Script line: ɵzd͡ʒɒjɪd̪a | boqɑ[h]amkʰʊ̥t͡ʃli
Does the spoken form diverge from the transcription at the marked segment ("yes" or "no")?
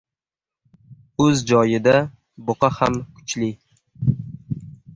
no